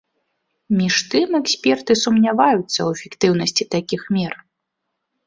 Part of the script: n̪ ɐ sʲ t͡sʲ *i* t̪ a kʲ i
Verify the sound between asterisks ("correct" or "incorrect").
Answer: correct